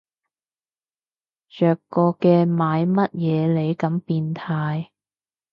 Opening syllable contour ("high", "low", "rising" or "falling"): low